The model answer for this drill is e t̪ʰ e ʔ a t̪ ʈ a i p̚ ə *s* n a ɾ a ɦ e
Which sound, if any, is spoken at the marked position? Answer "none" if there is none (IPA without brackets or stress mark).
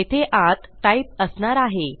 s